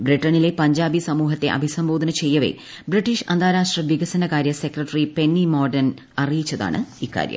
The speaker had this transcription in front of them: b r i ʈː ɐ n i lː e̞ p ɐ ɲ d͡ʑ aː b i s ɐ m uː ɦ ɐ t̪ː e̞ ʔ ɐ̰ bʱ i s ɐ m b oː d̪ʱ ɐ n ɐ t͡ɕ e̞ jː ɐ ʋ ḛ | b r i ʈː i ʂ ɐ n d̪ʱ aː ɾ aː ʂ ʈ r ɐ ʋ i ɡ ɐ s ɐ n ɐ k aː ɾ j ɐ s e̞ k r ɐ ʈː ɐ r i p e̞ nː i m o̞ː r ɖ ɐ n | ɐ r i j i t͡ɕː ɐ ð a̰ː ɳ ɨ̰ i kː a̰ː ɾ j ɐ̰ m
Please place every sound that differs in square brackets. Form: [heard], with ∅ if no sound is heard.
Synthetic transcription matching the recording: b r i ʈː ɐ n i [l] e̞ p ɐ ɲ d͡ʑ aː b i s ɐ m uː ɦ ɐ t̪ː e̞ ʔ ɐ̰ bʱ i s ɐ m b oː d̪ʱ ɐ n ɐ t͡ɕ e̞ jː ɐ ʋ ḛ | b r i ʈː i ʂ ɐ n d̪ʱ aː ɾ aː ʂ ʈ r ɐ ʋ i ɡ ɐ s ɐ n ɐ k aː ɾ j ɐ s e̞ k r ɐ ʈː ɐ r i p e̞ nː i m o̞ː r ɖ ɐ n | ɐ r i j i t͡ɕː ɐ ð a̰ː ɳ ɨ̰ i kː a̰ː ɾ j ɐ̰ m